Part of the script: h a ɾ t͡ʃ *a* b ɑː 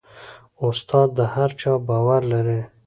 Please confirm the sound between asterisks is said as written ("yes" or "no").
no